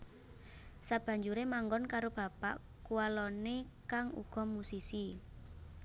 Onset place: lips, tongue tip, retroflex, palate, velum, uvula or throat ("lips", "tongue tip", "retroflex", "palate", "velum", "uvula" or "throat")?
tongue tip